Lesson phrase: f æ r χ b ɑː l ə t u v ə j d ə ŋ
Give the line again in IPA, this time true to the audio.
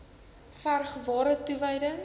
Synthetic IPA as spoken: f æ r χ v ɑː ɾ ə t u v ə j d ə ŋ